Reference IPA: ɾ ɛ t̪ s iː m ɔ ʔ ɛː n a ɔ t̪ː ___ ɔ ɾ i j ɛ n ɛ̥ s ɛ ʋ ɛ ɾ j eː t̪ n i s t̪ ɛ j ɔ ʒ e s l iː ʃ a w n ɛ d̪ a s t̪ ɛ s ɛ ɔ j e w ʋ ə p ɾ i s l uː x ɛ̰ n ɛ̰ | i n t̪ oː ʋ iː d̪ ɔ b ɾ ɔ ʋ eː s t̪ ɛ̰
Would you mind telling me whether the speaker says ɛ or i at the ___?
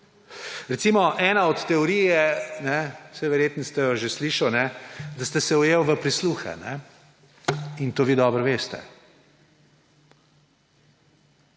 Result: ɛ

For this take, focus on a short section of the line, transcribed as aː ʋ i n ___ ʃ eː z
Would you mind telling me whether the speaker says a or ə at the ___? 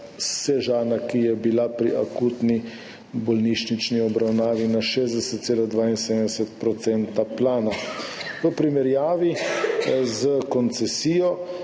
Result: a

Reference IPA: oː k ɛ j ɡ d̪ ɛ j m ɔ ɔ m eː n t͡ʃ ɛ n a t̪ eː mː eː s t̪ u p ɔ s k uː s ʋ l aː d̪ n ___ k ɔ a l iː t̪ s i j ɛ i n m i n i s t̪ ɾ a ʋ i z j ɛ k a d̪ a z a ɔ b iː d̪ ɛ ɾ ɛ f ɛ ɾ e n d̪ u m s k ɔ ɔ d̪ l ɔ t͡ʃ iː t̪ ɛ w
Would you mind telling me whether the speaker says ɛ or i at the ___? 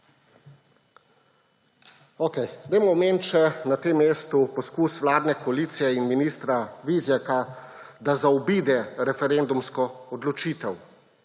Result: ɛ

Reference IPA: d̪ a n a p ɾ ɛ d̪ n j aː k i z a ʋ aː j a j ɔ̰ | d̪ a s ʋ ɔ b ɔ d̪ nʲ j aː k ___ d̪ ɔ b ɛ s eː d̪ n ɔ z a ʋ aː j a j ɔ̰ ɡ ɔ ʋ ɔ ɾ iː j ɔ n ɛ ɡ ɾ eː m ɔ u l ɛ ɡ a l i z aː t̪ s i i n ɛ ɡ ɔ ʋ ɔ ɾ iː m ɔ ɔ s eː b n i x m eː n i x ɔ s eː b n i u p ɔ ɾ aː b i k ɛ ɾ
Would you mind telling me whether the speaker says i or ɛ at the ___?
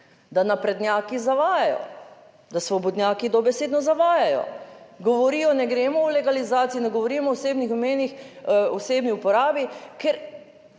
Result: i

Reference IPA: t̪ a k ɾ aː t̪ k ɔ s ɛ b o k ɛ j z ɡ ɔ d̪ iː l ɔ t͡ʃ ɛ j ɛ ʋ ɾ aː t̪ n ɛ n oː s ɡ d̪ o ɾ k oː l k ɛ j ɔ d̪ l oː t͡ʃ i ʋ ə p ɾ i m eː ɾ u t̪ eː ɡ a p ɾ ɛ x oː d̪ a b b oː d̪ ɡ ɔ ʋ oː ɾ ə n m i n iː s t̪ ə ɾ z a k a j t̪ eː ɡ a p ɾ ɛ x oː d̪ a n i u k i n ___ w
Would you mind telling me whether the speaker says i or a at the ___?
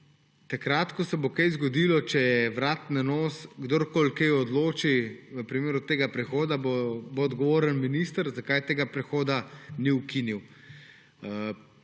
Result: i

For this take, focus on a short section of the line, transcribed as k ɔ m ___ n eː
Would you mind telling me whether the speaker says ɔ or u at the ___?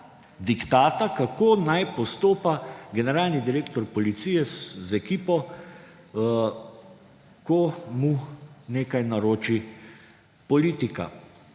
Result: u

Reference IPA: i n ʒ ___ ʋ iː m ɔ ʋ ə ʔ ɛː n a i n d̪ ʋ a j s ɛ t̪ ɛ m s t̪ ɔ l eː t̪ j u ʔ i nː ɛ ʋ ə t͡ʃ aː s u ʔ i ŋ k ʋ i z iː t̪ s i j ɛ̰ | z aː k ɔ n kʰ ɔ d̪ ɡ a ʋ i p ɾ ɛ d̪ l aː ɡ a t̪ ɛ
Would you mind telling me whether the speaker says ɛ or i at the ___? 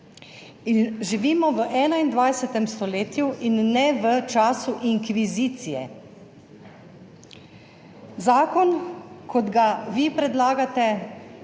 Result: i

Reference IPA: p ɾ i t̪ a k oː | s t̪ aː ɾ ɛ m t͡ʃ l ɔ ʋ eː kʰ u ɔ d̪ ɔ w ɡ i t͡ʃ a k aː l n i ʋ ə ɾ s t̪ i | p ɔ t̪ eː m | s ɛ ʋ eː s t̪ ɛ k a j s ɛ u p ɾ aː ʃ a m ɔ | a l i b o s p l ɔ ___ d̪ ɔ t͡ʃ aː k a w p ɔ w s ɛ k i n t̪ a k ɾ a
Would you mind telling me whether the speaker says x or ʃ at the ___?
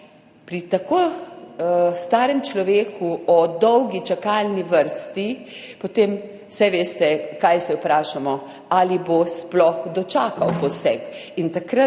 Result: x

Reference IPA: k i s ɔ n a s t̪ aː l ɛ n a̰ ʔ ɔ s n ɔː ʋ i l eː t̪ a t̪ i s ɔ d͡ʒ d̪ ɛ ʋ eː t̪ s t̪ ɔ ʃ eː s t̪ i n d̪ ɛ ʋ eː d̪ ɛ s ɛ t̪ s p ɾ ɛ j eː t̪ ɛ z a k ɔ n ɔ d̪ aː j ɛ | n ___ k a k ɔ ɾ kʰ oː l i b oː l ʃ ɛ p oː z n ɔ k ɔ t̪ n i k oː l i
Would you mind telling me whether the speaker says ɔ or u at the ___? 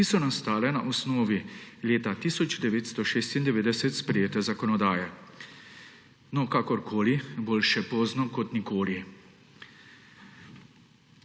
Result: ɔ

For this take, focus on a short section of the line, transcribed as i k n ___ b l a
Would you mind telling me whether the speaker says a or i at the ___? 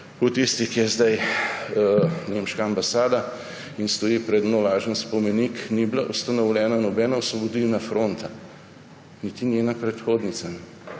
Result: i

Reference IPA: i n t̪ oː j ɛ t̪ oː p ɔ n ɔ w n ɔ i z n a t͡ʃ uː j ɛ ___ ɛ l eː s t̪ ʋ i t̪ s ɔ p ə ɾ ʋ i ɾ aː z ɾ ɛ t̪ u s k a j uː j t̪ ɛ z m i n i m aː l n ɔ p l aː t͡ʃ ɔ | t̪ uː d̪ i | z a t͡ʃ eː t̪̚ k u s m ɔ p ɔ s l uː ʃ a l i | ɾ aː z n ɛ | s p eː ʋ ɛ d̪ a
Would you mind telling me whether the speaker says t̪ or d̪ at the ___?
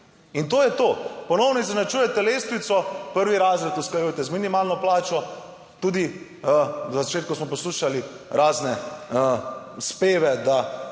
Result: t̪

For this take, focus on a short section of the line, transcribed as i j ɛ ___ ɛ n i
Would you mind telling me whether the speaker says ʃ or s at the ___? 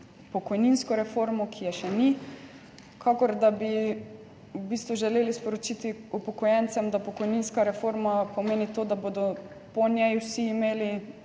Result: ʃ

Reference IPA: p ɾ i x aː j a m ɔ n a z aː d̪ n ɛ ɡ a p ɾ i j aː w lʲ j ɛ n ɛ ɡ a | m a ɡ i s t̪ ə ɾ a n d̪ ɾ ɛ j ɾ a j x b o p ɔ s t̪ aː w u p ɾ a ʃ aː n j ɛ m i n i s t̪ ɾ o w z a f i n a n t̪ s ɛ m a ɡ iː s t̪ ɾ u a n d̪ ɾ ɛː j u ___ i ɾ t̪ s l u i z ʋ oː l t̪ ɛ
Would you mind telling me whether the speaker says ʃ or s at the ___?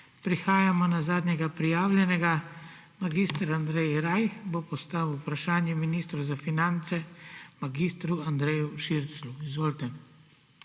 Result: ʃ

